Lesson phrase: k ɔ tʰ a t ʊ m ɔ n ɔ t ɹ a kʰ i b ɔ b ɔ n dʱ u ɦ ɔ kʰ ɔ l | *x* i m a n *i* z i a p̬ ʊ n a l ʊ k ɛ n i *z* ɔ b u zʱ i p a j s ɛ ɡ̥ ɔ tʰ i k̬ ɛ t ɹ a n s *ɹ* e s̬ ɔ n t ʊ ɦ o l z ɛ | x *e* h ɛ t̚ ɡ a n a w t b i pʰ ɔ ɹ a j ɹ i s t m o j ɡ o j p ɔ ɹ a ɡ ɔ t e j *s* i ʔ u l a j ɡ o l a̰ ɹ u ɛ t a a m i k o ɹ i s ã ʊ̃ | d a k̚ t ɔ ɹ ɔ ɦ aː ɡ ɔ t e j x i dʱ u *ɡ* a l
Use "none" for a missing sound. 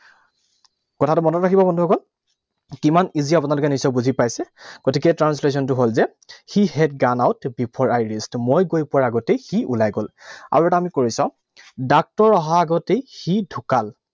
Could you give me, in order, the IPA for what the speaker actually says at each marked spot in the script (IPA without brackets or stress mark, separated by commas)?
k, i, s, l, i, x, k